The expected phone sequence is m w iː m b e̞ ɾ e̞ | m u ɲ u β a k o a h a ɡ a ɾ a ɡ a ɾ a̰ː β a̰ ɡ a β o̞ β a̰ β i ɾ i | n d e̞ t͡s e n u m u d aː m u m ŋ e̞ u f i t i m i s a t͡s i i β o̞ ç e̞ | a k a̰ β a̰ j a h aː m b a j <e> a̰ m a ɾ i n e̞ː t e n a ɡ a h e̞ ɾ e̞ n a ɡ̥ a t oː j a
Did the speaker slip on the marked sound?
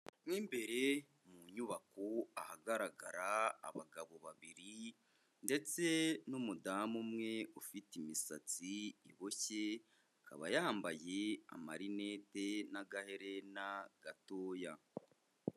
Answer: no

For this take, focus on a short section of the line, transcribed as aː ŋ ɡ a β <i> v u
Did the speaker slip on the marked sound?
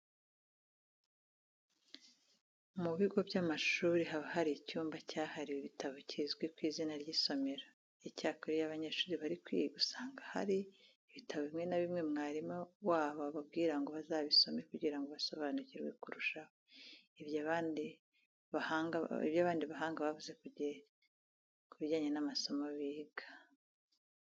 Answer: yes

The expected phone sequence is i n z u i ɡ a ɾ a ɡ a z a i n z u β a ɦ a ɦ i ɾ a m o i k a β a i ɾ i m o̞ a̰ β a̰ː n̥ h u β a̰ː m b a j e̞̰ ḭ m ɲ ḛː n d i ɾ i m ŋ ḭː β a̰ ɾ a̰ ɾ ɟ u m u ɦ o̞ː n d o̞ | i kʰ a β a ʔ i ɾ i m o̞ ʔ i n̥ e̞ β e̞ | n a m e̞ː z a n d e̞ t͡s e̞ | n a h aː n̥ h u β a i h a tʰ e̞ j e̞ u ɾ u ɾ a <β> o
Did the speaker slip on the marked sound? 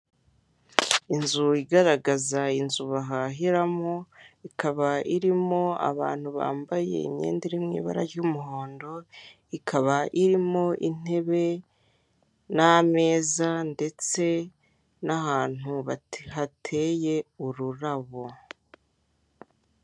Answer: no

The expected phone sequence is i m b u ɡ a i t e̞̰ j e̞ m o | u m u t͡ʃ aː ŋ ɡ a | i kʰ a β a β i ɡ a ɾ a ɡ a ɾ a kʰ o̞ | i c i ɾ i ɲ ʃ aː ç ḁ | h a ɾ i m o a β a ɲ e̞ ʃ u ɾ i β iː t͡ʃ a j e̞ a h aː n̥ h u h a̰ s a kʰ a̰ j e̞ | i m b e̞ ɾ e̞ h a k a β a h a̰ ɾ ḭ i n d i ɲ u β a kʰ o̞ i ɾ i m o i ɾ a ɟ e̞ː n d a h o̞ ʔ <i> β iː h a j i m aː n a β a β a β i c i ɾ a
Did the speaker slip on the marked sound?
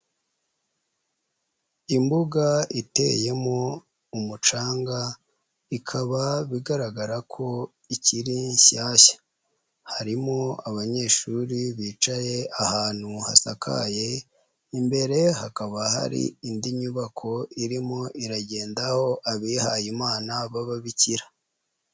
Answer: yes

